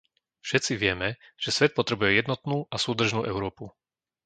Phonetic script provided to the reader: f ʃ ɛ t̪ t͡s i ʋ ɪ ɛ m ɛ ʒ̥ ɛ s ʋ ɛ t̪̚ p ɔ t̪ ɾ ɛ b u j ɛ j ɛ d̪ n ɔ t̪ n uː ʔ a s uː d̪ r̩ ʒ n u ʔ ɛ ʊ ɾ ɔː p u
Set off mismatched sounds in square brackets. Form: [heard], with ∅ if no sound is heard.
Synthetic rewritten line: f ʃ ɛ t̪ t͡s i ʋ ɪ ɛ m ɛ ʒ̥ ɛ s ʋ ɛ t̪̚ p ɔ t̪ ɾ ɛ b u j ɛ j ɛ d̪ n ɔ t̪ n uː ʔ a s uː d̪ r̩ ʒ n [uː] ʔ ɛ ʊ ɾ ɔː p u